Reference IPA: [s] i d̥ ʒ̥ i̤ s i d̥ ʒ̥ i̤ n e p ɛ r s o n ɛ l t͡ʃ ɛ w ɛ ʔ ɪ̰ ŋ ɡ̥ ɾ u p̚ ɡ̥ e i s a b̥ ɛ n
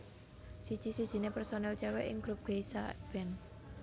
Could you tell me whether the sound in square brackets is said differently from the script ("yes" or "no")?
no